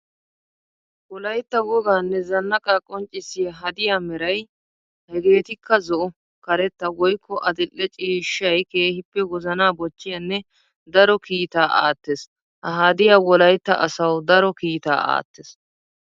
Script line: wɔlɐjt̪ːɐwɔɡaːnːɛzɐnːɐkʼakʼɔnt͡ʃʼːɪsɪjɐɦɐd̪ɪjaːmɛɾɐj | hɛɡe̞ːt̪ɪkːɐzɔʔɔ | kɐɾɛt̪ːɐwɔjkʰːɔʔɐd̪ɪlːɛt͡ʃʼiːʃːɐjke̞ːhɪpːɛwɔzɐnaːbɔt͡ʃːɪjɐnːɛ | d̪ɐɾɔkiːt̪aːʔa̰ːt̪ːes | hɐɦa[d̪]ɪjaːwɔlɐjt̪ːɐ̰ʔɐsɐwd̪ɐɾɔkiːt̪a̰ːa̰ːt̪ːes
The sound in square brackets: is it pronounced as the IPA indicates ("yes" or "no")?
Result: yes